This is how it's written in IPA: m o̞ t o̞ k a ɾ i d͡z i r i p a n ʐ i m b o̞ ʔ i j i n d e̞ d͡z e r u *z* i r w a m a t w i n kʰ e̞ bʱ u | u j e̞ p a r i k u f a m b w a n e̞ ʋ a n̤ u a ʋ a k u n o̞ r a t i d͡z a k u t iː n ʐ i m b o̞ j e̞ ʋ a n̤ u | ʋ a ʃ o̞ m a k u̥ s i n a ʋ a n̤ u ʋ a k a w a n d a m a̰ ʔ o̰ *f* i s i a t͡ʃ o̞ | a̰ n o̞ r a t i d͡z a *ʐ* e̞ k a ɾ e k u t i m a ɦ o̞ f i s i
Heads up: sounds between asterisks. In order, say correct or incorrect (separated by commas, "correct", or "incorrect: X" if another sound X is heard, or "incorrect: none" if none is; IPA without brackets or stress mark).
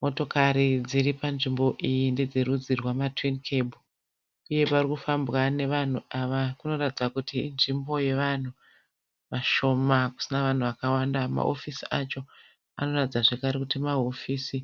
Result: incorrect: d͡z, correct, correct